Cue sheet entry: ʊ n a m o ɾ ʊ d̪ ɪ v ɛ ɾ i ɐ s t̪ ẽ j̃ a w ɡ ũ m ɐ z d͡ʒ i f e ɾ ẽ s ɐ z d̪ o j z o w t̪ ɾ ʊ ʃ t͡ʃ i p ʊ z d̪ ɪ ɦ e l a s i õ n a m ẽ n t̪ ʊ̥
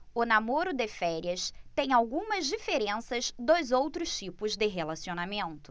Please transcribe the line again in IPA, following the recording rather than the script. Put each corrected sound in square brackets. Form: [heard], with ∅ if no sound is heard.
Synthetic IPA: ʊ n a m o ɾ ʊ d̪ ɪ [f] ɛ ɾ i ɐ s t̪ ẽ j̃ a w ɡ ũ m ɐ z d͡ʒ i f e ɾ ẽ s ɐ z d̪ o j z o w t̪ ɾ ʊ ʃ t͡ʃ i p ʊ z d̪ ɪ ɦ e l a s i [o] n a m ẽ n t̪ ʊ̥